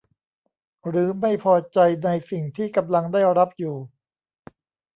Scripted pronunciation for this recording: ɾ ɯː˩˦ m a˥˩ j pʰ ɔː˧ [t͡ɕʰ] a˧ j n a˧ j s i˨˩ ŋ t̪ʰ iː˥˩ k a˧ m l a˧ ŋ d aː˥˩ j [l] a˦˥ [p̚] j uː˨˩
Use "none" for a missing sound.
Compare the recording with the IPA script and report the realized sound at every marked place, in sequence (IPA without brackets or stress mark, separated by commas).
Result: t͡ɕ, ɾ, p̚